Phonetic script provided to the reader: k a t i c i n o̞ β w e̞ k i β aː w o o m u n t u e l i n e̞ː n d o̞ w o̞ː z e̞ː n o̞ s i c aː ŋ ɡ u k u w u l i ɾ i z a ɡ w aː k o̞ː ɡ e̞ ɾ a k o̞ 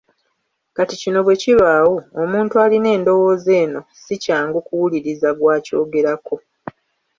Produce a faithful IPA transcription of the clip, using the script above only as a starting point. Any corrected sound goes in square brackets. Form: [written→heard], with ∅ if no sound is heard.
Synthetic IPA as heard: k a t i c i n o̞ β w e̞ [k→c] i β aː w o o m [u→uː] n t u [e→a] l i n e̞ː n d o̞ w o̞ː z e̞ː n o̞ s i c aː ŋ ɡ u k u w u l i ɾ i z a ɡ w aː [k→c] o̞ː ɡ e̞ ɾ a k o̞